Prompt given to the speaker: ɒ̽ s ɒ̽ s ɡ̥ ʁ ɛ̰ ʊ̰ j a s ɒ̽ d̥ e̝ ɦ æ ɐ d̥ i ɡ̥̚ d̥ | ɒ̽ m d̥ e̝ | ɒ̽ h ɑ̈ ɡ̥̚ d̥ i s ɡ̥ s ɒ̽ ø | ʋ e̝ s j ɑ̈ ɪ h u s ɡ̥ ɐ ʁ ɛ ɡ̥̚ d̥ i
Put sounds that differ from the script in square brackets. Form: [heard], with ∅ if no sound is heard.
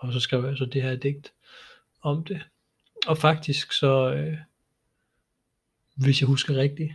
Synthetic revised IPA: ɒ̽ s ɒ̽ s ɡ̥ ʁ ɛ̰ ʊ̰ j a s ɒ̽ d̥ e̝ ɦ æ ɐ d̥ [e] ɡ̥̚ d̥ | ɒ̽ m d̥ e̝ | ɒ̽ [f] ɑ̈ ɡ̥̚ d̥ i s ɡ̥ s ɒ̽ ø | ʋ e̝ s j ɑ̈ ɪ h u s ɡ̥ ɐ ʁ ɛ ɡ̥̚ d̥ i